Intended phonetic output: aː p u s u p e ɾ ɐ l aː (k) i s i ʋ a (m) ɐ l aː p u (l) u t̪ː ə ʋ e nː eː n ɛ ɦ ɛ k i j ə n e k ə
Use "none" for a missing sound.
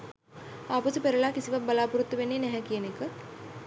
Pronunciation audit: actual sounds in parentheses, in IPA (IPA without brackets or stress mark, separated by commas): k, b, ɾ